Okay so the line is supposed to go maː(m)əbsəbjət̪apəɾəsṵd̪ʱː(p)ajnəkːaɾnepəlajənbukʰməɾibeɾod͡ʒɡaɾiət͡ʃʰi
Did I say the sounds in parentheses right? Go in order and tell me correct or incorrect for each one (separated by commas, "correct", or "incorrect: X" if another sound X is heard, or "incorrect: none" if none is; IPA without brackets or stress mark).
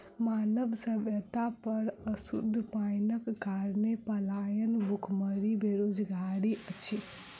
incorrect: n, correct